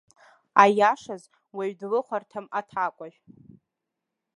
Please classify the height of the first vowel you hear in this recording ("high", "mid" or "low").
low